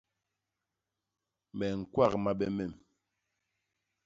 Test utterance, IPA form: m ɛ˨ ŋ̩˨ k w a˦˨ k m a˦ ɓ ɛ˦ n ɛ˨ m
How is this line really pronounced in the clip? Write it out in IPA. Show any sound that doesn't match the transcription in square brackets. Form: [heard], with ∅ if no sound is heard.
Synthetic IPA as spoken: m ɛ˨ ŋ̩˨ k w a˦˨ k m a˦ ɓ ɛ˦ [m] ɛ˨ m